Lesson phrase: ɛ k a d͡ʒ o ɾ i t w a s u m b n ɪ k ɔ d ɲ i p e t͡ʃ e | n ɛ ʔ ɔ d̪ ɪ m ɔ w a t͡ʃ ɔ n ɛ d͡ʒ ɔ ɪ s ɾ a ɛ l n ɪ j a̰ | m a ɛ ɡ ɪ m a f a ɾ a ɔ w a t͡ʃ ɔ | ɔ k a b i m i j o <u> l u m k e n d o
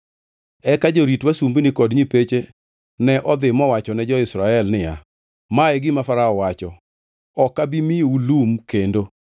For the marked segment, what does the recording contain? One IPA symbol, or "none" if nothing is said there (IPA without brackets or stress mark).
u